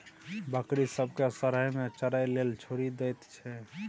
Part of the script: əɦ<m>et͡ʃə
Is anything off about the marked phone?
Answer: no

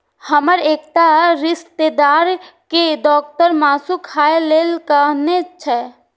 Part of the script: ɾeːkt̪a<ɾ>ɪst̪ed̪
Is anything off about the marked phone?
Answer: no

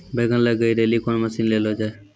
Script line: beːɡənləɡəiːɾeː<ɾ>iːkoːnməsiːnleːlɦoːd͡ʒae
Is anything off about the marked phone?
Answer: yes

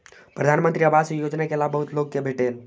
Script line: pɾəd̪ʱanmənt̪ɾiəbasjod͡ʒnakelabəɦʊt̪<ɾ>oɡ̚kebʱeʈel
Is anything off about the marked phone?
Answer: yes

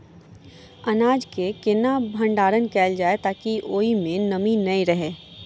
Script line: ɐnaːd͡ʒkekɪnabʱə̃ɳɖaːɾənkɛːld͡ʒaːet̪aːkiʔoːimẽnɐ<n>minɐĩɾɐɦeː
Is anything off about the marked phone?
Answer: yes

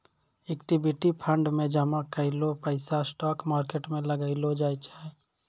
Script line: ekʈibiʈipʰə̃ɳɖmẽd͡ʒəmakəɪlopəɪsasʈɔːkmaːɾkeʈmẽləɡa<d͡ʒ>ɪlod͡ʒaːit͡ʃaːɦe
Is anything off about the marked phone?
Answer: yes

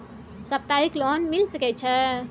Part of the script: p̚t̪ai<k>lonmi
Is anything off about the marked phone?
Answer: no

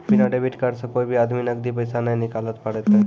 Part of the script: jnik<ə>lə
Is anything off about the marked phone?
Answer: yes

